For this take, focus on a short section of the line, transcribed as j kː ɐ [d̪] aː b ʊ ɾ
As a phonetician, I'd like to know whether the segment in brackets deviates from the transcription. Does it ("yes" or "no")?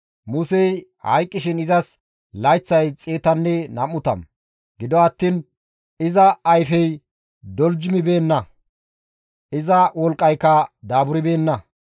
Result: no